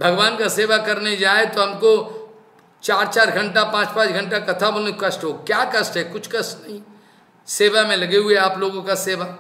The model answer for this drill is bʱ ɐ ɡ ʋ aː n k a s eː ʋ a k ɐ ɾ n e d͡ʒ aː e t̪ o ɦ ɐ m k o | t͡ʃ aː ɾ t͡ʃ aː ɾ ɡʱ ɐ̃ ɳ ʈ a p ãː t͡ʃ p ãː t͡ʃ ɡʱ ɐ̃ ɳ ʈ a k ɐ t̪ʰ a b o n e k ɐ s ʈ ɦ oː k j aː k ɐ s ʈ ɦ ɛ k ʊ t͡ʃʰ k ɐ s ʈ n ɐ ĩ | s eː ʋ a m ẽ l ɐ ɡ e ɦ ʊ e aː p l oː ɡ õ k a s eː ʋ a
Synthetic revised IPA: bʱ ɐ ɡ ʋ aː n k a s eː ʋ a k ɐ ɾ n e d͡ʒ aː e t̪ o ɦ ɐ m k o | t͡ʃ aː ɾ t͡ʃ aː ɾ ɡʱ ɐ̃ ɳ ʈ a p ãː t͡ʃ p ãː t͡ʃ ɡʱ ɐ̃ ɳ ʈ a k ɐ t̪ʰ a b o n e k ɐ s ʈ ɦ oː k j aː k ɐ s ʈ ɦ ɛ k ʊ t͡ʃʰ k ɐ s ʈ n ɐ ĩ | s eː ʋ a m ẽ l ɐ ɡ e ɦ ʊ e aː p l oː ɡ õ k a s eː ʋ a